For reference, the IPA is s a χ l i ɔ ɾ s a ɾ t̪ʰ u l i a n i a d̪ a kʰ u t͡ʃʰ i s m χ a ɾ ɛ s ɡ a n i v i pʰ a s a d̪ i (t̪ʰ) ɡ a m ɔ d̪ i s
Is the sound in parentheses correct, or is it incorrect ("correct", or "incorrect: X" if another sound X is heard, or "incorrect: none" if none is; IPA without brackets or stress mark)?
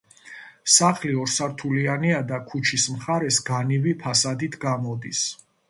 correct